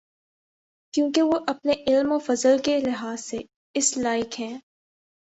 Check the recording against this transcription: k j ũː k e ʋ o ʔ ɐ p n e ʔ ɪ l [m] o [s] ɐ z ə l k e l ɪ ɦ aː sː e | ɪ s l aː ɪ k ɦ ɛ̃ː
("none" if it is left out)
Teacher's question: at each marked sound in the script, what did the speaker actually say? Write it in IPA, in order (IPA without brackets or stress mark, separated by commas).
m, f